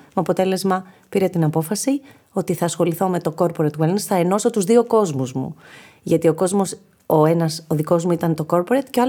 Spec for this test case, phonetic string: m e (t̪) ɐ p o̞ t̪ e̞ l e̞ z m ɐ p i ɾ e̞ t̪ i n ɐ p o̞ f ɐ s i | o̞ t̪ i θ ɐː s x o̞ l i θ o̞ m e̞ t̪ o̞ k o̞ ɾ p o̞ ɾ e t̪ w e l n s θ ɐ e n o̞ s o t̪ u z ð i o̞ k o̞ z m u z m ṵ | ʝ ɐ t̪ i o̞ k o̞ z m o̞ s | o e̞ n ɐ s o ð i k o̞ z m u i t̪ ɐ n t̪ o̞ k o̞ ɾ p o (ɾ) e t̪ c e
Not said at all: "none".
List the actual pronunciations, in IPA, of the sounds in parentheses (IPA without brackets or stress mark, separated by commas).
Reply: none, ɾ